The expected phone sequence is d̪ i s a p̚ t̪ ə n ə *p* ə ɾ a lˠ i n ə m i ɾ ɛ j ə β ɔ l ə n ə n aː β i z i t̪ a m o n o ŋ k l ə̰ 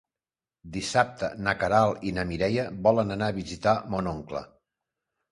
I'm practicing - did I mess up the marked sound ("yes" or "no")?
yes